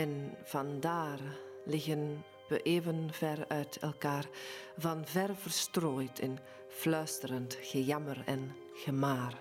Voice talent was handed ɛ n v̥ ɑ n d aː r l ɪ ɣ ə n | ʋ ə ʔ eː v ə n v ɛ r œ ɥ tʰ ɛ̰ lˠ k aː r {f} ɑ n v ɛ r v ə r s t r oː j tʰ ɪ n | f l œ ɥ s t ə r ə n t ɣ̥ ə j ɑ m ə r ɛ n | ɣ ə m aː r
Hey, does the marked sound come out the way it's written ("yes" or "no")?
no